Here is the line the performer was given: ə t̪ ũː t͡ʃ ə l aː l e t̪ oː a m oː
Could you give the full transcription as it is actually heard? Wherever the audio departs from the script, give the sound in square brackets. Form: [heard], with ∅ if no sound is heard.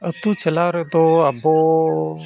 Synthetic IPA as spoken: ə t̪ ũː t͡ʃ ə l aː [ɾ] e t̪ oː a [b] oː